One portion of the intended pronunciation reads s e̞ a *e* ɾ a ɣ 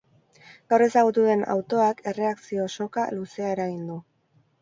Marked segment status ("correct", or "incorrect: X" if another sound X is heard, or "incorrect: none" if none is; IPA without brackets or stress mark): correct